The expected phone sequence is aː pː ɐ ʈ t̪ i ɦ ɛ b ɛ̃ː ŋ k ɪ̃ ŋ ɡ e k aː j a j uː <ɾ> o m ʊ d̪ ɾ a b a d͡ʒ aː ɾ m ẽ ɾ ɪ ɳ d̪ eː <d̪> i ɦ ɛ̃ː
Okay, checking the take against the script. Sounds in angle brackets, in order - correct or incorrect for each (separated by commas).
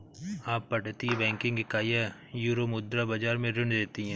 correct, incorrect